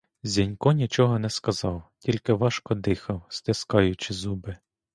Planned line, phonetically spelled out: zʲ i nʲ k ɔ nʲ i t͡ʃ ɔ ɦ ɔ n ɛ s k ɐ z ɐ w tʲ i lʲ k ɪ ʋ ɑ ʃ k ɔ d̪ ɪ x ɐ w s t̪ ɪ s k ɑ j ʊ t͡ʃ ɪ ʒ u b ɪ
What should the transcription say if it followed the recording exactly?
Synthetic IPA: zʲ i nʲ k ɔ nʲ i t͡ʃ ɔ ɦ ɔ n ɛ s k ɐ z ɑ w tʲ i lʲ k ɪ ʋ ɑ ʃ k ɔ d̪ ɪ x ɐ w s t̪ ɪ s k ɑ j ʊ t͡ʃ ɪ z u b ɪ